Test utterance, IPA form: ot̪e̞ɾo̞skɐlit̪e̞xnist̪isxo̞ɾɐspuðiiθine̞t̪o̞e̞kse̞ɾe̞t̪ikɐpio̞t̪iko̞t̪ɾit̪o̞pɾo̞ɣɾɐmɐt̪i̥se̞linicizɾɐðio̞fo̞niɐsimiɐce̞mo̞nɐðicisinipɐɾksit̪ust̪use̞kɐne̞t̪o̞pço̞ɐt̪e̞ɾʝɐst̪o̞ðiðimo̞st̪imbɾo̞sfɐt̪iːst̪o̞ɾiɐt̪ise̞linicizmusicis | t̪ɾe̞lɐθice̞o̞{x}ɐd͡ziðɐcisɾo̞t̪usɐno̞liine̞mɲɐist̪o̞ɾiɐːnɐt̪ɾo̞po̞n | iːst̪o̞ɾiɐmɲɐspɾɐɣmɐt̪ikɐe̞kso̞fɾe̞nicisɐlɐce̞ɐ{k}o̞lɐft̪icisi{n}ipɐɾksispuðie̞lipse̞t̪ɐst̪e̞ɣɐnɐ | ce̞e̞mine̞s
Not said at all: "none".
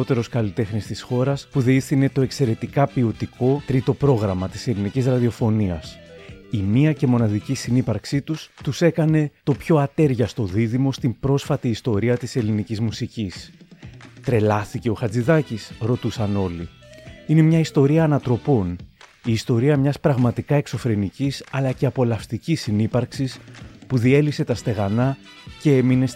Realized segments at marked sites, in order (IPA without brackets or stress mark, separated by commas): x, p, n